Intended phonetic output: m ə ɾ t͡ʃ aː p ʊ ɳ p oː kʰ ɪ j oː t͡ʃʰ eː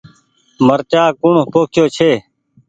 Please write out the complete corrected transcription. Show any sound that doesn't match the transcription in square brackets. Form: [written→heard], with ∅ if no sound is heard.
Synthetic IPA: m ə ɾ t͡ʃ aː [p→k] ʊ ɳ p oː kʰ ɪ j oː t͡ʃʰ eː